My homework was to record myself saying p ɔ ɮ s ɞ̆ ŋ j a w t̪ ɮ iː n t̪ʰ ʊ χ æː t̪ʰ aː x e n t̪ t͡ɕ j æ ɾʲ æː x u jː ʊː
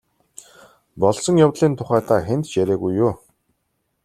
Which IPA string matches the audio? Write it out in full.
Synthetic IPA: p ɔ ɮ s ɞ̆ ŋ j a w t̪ ɮ iː n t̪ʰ ʊ χ æː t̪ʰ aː x e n t̪ t͡ɕ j æ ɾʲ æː ɣ u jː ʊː